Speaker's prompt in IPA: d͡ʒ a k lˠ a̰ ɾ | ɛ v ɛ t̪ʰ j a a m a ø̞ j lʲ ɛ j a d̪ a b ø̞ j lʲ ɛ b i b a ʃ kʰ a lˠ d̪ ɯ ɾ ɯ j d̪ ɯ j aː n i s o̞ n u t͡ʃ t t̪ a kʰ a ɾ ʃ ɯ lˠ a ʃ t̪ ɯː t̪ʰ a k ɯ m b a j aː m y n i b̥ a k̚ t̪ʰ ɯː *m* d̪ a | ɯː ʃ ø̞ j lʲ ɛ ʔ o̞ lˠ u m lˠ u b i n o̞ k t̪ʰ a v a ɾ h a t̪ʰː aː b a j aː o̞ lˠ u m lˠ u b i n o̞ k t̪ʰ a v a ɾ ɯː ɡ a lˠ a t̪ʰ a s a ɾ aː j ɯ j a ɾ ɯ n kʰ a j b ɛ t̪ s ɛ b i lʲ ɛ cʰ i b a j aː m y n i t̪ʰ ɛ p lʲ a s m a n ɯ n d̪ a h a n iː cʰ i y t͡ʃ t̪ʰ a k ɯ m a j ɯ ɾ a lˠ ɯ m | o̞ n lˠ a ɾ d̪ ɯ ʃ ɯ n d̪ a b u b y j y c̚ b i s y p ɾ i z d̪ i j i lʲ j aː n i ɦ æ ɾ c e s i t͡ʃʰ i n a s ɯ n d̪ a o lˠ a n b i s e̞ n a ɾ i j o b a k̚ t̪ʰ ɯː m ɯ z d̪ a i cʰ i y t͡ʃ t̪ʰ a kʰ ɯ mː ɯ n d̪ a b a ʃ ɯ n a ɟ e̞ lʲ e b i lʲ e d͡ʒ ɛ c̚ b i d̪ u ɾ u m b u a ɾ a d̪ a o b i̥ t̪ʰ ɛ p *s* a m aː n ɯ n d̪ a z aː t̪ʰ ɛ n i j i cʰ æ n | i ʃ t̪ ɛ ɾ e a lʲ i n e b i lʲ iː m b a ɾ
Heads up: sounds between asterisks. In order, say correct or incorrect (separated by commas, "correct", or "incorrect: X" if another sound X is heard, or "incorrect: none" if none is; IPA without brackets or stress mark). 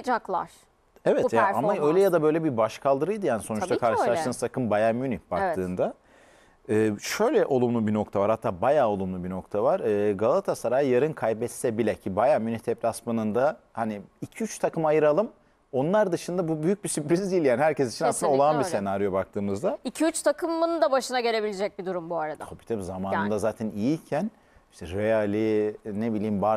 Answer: incorrect: n, incorrect: z